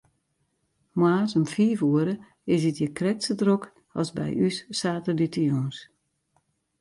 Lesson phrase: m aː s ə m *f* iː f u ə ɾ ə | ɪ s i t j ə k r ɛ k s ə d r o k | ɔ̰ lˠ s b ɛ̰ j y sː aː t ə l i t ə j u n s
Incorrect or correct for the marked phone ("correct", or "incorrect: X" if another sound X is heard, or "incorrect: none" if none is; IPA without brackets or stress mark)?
correct